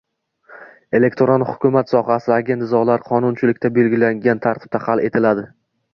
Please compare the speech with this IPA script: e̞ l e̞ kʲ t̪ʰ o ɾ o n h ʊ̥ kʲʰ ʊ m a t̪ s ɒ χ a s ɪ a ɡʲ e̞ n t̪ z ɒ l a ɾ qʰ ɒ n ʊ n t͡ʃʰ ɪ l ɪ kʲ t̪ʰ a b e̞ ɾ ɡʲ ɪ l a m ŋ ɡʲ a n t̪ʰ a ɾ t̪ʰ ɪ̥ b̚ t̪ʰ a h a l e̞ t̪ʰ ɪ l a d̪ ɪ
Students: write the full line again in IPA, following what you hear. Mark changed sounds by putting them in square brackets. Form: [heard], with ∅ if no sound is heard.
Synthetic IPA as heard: e̞ l e̞ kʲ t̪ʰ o ɾ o n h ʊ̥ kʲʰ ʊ m a t̪ s ɒ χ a s ɪ a ɡʲ e̞ n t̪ z ɒ l a ɾ qʰ ɒ n ʊ n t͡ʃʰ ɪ l ɪ kʲ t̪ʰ a b e̞ [l] ɡʲ ɪ l a [∅] ŋ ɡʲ a n t̪ʰ a ɾ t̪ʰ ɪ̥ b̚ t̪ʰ a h a l e̞ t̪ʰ ɪ l a d̪ ɪ